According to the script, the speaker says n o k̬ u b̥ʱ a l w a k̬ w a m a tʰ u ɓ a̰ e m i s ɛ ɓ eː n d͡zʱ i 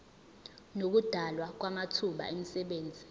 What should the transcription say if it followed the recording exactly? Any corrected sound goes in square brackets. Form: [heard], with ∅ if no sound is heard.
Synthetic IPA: n o k̬ u [d̥ʱ] a l w a k̬ w a m a tʰ u ɓ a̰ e m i s ɛ ɓ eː n d͡zʱ i

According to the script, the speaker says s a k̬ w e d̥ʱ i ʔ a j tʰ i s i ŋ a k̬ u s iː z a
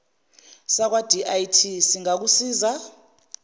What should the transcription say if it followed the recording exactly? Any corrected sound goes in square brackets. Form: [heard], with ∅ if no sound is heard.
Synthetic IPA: s a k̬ w [a] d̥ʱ i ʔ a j tʰ i s i ŋ a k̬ u s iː z a

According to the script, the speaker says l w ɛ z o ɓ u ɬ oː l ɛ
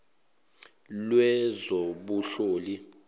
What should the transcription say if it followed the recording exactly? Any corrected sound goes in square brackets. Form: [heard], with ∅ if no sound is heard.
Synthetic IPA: l w ɛ z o ɓ u ɬ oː l [i]

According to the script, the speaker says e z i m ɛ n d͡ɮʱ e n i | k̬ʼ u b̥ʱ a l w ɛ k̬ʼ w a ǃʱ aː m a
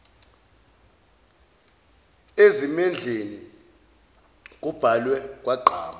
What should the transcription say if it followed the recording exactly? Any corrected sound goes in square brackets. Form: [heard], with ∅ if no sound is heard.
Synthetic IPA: e z i m ɛ n d͡ɮʱ e n i | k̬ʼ u b̥ʱ a l w ɛ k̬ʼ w a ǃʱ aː m a

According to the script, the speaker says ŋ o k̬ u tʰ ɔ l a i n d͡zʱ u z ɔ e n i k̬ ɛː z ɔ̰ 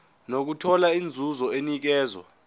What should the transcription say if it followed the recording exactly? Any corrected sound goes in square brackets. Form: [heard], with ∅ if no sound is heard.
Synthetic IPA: [n] o k̬ u tʰ ɔ l a i n d͡zʱ u z ɔ e n i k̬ ɛː z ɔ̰

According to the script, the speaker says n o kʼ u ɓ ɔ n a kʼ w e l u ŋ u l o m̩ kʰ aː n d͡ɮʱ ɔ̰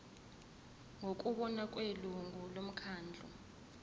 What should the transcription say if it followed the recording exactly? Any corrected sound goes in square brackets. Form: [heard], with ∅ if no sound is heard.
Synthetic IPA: [ŋ] o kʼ u ɓ ɔ n a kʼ w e l u ŋ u l o m̩ kʰ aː n d͡ɮʱ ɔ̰

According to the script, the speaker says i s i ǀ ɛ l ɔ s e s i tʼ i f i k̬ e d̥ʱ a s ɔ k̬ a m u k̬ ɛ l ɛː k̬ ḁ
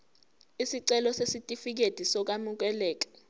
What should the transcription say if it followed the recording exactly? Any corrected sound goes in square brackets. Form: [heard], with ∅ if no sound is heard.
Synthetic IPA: i s i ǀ ɛ l ɔ s e s i tʼ i f i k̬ e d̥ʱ [i] s ɔ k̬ a m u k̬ ɛ l ɛː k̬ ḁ

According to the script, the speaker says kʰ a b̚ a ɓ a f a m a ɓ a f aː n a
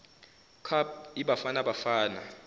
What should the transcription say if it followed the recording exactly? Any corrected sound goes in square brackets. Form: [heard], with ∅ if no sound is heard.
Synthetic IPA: kʰ a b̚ [i] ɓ a f a [n] a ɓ a f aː n a

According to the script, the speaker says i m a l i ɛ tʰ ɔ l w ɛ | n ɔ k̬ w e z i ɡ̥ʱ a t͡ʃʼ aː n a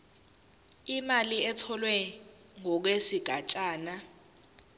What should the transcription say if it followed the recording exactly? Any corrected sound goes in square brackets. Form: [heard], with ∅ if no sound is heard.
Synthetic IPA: i m a l i ɛ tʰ ɔ l w ɛ | [ŋ] ɔ k̬ w e [s] i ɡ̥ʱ a t͡ʃʼ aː n a

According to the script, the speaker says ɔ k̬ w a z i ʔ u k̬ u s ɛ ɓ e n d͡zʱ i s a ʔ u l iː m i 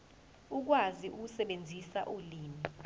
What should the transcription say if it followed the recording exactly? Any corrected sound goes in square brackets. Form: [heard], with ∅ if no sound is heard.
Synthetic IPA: [u] k̬ w a z i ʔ u k̬ u s ɛ ɓ e n d͡zʱ i s a ʔ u l iː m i

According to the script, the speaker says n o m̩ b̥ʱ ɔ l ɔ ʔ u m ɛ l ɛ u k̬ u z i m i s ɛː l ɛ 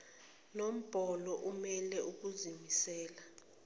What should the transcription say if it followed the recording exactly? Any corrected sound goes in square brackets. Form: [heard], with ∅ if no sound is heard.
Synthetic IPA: n o m̩ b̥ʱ ɔ l ɔ ʔ u m ɛ l ɛ u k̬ u z i m i s ɛː l [a]

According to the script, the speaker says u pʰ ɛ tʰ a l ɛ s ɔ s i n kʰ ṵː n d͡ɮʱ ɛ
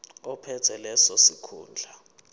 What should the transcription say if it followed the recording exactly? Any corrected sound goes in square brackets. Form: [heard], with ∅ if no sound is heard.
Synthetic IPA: [ɔ] pʰ ɛ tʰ [ɛ] l ɛ s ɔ s i [∅] kʰ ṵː n d͡ɮʱ [a]

